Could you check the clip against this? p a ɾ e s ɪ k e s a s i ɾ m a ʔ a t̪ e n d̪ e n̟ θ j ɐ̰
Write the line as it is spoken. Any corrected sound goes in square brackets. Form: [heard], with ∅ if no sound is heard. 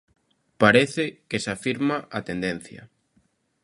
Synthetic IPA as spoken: p a ɾ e [θ] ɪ k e s a [f] i ɾ m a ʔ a t̪ e n d̪ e n̟ θ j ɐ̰